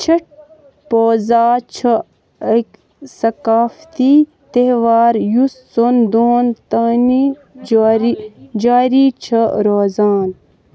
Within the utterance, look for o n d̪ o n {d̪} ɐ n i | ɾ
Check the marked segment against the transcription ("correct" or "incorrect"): incorrect